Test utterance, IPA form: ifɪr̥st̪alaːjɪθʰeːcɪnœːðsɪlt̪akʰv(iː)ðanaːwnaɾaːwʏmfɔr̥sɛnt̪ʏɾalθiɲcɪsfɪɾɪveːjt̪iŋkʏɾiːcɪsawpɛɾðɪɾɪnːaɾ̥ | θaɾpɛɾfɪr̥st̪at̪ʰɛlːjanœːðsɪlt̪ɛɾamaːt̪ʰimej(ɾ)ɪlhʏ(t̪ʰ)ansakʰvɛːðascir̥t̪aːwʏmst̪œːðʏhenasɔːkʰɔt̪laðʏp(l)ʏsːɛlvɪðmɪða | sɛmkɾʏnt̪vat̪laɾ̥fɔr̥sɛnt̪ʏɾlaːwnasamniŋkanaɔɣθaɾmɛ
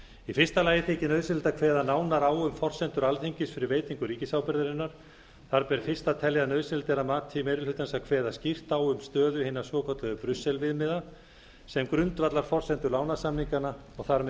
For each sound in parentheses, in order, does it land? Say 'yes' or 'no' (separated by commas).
no, yes, no, no